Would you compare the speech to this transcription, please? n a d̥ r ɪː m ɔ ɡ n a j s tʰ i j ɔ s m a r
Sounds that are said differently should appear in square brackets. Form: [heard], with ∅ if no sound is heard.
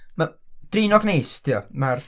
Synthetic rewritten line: [m] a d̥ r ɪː [n] ɔ ɡ n [e] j s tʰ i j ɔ [∅] m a r